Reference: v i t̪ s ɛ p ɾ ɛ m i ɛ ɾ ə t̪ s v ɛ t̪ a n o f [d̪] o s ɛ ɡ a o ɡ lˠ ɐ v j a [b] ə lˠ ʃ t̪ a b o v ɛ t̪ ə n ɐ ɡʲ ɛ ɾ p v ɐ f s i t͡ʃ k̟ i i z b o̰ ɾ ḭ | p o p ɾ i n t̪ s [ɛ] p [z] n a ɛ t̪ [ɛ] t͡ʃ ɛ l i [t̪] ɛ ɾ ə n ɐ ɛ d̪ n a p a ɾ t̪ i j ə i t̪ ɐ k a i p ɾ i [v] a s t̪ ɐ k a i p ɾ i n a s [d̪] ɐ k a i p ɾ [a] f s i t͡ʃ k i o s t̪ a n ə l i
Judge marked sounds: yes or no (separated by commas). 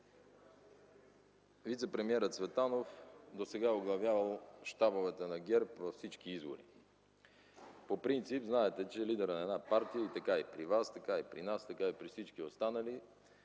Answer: yes, no, no, yes, yes, no, yes, no, no